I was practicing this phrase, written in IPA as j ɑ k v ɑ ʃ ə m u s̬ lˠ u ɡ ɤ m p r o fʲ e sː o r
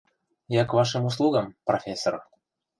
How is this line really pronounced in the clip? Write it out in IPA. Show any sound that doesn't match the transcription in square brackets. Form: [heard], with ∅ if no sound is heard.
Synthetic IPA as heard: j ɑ k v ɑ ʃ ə m u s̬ lˠ u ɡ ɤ m p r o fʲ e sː o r

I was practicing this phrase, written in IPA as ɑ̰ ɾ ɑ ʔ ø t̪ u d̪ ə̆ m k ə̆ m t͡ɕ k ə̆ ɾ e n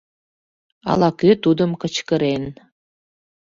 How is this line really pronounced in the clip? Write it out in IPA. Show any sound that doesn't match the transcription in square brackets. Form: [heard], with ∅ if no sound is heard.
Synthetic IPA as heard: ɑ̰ [l] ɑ [k] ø t̪ u d̪ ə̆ m k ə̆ [∅] t͡ɕ k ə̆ ɾ e n

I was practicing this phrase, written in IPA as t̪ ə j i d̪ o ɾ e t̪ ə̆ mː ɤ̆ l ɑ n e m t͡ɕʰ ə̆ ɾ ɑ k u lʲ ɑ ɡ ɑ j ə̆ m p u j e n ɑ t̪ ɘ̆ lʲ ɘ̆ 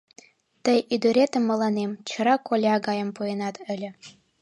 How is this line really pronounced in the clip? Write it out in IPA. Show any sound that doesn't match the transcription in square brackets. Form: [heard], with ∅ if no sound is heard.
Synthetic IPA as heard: t̪ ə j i d̪ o ɾ e t̪ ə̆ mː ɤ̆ l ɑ n e m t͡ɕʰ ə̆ ɾ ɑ k [o] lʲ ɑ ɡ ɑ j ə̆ m p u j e n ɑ t̪ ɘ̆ lʲ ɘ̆

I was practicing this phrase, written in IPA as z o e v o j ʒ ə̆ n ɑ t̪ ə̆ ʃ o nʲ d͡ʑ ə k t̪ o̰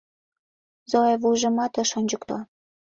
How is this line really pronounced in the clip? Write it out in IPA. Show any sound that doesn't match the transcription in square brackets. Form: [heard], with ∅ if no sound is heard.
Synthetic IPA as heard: z o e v [u] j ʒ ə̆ [m] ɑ t̪ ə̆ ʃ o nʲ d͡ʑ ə k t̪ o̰

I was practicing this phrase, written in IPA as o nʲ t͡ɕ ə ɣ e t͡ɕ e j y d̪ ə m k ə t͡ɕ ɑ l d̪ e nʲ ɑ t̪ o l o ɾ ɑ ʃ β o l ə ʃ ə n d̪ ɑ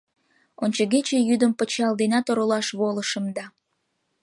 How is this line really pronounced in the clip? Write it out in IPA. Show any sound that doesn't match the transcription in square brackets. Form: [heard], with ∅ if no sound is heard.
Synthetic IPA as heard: o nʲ t͡ɕ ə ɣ e t͡ɕ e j y d̪ ə m [p] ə t͡ɕ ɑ l d̪ e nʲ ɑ t̪ o [ɾ] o [l] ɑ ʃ β o l ə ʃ ə [m] d̪ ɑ

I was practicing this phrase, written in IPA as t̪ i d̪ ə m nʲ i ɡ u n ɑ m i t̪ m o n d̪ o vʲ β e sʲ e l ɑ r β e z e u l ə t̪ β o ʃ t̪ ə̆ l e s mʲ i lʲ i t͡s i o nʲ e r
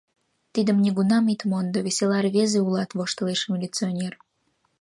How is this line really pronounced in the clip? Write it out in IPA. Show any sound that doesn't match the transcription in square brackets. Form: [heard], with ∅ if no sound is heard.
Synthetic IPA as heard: t̪ i d̪ ə m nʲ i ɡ u n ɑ m i t̪ m o n d̪ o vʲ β e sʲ e l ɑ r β e z e u l [ɑ] t̪ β o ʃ t̪ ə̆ l e [ʃ] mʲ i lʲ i t͡s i o nʲ e r

